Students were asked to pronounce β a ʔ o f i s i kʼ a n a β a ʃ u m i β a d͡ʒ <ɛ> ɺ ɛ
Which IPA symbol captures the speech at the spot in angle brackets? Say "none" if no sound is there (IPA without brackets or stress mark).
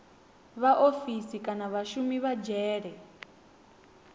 ɛː